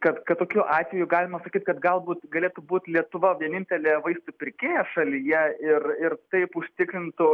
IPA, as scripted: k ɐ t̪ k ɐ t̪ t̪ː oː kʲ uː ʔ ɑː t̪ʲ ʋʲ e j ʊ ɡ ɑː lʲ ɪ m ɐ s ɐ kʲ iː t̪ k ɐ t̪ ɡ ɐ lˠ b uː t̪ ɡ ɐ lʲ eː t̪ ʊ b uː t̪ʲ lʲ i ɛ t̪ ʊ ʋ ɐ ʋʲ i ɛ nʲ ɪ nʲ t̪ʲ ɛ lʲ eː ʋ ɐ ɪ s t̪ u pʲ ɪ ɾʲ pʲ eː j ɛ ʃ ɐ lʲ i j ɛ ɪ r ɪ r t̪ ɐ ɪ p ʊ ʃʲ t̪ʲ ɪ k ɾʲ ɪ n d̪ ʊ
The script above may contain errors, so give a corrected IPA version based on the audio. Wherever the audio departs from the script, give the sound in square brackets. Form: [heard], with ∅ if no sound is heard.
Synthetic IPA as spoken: k ɐ t̪ k ɐ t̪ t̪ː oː kʲ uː ʔ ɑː t̪ʲ ʋʲ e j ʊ ɡ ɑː lʲ ɪ m ɐ s ɐ kʲ iː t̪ k ɐ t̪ ɡ ɐ lˠ b uː t̪ ɡ ɐ lʲ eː t̪ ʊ b uː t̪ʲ lʲ i ɛ t̪ ʊ ʋ ɐ ʋʲ i ɛ nʲ ɪ nʲ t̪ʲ ɛ lʲ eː ʋ ɐ ɪ s t̪ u pʲ ɪ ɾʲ [kʲ] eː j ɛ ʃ ɐ lʲ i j ɛ ɪ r ɪ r t̪ ɐ ɪ p ʊ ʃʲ t̪ʲ ɪ k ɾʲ ɪ n [t̪] ʊ